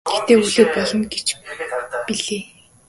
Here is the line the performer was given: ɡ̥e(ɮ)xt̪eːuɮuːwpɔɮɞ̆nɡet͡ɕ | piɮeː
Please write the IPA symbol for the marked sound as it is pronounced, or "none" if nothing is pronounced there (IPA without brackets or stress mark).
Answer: none